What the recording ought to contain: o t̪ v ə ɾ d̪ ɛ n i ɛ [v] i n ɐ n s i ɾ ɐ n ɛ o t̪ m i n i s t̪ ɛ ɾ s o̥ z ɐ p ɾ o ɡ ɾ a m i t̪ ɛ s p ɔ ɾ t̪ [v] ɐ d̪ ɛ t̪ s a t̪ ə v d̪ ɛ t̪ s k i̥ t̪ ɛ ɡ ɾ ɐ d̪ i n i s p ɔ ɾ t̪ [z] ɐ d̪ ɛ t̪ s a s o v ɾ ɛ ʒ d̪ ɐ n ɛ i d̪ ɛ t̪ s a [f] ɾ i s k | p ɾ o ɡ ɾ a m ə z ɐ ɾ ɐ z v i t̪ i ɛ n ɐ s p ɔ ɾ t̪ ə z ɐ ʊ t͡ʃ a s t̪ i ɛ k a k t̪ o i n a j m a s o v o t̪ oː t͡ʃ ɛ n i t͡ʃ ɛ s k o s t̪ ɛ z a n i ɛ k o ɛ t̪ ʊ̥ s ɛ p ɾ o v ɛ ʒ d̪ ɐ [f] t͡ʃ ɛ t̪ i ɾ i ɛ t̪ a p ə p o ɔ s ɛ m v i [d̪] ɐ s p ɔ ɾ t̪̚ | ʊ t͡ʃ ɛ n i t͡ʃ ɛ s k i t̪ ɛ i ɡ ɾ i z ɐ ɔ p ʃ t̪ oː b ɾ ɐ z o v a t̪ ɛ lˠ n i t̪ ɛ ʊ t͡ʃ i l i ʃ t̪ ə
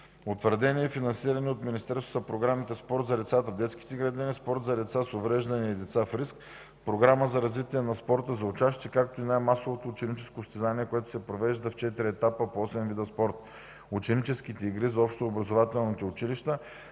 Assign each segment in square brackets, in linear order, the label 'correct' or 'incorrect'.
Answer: incorrect, incorrect, correct, correct, correct, correct

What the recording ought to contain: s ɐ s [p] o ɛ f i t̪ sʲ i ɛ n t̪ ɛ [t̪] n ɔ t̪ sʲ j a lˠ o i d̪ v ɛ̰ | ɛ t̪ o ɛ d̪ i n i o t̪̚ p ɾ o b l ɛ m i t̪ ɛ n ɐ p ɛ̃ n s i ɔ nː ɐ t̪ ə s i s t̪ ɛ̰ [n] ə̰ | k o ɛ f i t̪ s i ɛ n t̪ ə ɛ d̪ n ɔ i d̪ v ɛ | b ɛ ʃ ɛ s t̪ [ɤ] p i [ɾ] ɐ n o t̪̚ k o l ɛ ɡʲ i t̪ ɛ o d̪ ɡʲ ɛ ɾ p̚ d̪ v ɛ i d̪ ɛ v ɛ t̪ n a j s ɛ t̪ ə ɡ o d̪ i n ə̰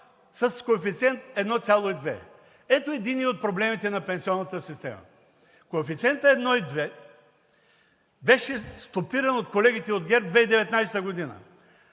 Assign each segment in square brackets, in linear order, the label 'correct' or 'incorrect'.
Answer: incorrect, incorrect, incorrect, incorrect, correct

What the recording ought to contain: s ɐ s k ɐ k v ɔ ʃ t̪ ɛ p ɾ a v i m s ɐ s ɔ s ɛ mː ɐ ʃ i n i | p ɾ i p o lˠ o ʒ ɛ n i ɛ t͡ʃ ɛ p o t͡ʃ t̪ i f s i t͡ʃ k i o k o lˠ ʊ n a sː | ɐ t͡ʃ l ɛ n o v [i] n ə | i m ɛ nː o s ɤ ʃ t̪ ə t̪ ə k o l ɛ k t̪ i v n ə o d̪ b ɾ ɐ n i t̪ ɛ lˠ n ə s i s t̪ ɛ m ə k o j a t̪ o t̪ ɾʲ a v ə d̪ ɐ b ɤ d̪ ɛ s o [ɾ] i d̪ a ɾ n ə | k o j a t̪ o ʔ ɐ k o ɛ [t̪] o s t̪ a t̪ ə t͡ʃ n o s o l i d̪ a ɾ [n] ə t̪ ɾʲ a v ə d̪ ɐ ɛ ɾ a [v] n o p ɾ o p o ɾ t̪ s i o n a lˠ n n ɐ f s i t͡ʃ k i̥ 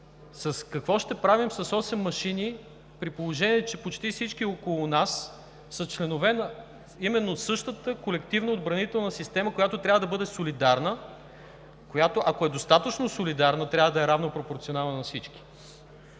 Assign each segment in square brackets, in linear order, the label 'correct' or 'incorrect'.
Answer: incorrect, incorrect, incorrect, correct, correct

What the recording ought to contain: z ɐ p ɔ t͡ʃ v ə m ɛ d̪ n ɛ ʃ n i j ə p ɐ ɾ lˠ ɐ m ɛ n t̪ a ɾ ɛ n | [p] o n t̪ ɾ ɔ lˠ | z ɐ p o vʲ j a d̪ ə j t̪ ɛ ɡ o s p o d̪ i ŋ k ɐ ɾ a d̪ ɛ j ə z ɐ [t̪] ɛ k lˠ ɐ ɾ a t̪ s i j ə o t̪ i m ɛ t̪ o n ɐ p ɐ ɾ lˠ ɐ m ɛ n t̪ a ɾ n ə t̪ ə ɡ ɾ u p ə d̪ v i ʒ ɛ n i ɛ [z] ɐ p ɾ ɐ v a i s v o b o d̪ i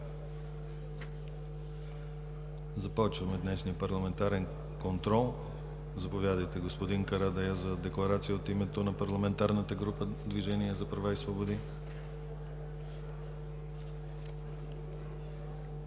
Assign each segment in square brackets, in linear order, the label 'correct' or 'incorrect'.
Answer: incorrect, incorrect, correct

